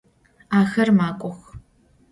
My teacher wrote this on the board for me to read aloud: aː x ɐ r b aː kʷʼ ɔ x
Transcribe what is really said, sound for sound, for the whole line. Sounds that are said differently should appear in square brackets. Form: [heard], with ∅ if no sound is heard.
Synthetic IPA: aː x ɐ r [m] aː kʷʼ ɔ x